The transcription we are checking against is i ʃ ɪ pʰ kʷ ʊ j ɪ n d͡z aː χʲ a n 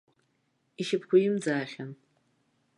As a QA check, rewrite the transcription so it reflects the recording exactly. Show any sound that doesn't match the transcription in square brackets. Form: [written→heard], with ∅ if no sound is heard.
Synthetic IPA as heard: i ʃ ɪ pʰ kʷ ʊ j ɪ [n→m] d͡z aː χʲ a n